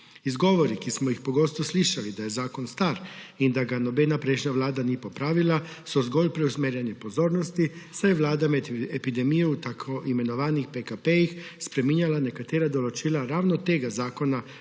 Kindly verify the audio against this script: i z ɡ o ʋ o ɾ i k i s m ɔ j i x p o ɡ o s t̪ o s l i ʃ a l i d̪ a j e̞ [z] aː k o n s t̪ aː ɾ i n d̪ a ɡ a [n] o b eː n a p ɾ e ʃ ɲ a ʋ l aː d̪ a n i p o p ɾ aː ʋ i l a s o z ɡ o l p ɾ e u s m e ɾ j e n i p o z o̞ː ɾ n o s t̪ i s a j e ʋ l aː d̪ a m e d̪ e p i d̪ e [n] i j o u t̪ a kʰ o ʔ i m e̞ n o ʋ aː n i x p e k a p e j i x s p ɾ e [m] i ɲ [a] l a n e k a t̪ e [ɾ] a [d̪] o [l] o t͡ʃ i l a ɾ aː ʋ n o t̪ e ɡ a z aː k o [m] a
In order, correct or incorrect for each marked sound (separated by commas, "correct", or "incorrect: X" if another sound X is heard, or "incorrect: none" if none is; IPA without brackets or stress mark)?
correct, correct, incorrect: m, correct, correct, correct, correct, correct, incorrect: n